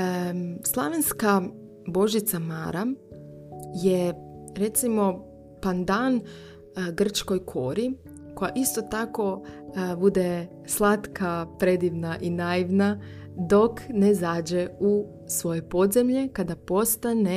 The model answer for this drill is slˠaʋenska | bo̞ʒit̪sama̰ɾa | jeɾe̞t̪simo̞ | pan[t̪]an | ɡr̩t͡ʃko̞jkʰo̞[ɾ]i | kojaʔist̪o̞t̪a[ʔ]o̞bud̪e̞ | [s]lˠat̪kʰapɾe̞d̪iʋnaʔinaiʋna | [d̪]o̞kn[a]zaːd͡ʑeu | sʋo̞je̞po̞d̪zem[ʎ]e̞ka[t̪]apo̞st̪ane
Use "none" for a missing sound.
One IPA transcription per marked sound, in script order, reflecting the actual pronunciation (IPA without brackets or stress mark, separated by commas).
d̪, ɾ, k, s, d̪, e, ʎ, d̪